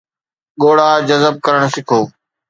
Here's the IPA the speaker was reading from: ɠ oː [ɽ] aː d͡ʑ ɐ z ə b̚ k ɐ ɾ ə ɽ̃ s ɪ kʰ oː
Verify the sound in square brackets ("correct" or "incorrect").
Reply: correct